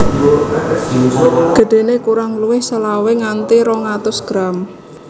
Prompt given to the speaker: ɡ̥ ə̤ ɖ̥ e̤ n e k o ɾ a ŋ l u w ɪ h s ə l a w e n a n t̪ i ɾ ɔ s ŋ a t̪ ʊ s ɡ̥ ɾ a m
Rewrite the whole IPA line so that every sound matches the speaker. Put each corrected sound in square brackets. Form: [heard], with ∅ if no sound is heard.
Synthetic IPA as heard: ɡ̥ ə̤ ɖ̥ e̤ n e k [u] ɾ a ŋ l u w ɪ h s ə l a w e [ŋ] a n t̪ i ɾ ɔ [∅] ŋ a t̪ ʊ s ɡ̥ ɾ a m

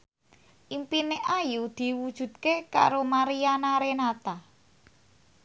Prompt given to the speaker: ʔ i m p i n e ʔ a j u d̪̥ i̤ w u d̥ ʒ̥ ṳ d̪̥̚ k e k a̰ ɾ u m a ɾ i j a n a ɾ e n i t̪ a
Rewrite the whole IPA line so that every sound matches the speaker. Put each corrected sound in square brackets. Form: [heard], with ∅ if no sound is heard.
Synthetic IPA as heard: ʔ i m p i n e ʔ a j u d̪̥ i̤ w u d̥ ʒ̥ ṳ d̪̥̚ k e k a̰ ɾ [o] m a ɾ i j a n a ɾ e n [a] t̪ a

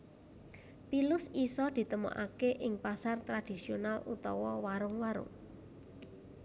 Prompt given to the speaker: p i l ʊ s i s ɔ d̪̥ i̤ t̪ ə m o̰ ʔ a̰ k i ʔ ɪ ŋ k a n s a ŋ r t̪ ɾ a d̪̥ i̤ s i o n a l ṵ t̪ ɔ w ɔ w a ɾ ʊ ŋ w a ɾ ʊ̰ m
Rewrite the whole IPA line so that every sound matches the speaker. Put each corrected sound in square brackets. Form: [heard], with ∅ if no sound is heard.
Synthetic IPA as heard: p i l ʊ s i s ɔ d̪̥ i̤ t̪ ə m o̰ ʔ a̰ k [e] ʔ ɪ ŋ [p] a [∅] s a [∅] r t̪ ɾ a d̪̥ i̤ s i o n a l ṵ t̪ ɔ w ɔ w a ɾ ʊ ŋ w a ɾ ʊ̰ [ŋ]

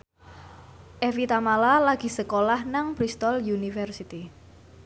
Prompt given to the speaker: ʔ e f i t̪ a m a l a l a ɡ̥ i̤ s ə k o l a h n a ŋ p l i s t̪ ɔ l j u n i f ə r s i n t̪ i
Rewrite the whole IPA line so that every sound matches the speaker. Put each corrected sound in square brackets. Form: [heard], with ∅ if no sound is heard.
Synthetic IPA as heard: ʔ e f i t̪ a m a l a l a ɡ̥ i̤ s ə k o l a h n a ŋ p [ɾ] i s t̪ ɔ l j u n i f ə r s i [∅] t̪ i

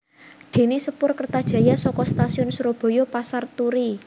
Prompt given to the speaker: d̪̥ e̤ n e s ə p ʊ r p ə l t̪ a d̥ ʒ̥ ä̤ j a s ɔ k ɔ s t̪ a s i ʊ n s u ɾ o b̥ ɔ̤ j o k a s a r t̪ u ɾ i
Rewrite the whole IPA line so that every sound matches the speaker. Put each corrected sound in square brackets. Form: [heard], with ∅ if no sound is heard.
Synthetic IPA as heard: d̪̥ e̤ n e s ə p ʊ r [k] ə [r] t̪ a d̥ ʒ̥ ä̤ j a s ɔ k ɔ s t̪ a s i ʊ n s u ɾ o b̥ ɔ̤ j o [p] a s a r t̪ u ɾ i

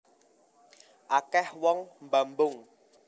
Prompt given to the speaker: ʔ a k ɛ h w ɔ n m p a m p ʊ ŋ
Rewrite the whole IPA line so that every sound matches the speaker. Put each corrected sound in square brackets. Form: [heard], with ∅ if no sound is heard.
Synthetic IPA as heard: ʔ a k ɛ h w ɔ [ŋ] m [b] a m [b] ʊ ŋ

